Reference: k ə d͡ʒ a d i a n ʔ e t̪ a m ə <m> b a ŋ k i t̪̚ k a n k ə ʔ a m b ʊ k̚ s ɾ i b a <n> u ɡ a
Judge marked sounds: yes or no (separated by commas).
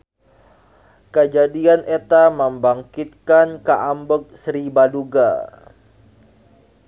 yes, no